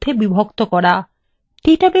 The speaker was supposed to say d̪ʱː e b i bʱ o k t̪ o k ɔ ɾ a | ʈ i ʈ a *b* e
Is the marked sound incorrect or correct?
correct